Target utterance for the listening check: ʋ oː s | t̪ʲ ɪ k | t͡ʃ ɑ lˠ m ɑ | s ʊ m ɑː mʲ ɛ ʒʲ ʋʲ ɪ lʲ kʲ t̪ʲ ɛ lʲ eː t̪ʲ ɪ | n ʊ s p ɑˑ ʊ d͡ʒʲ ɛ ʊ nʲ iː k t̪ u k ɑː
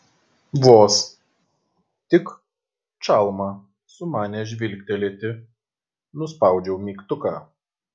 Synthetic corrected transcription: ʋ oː s | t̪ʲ ɪ k | t͡ʃ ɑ lˠ m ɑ | s ʊ m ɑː nʲ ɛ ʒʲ ʋʲ ɪ lʲ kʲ t̪ʲ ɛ lʲ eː t̪ʲ ɪ | n ʊ s p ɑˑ ʊ d͡ʒʲ ɛ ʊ mʲ iː k t̪ ʊ k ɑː